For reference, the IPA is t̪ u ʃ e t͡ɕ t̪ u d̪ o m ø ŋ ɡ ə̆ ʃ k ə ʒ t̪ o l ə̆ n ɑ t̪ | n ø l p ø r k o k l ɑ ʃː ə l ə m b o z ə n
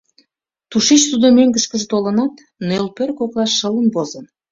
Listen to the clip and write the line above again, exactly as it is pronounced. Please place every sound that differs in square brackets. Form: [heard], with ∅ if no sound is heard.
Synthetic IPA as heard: t̪ u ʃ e t͡ɕ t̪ u d̪ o m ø ŋ ɡ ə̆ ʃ k ə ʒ t̪ o l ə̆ n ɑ t̪ | n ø l p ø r k o k l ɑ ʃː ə l ə [n] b o z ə n